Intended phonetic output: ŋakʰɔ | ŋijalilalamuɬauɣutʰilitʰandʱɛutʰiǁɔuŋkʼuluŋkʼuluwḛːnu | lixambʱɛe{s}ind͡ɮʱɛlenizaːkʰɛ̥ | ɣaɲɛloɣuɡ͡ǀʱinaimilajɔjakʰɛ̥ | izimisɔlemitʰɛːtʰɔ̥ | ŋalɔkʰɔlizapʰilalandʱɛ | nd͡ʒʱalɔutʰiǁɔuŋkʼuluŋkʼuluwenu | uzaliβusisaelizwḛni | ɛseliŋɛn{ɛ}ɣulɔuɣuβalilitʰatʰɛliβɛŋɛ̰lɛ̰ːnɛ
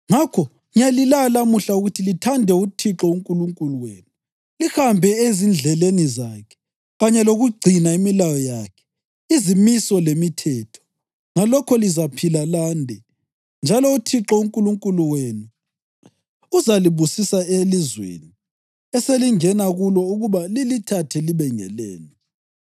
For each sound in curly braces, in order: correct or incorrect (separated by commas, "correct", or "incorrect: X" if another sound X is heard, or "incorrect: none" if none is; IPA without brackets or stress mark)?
incorrect: z, incorrect: a